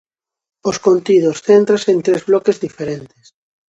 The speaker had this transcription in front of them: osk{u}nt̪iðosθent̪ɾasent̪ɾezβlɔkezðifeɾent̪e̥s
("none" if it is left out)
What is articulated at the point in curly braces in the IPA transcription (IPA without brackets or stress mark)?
o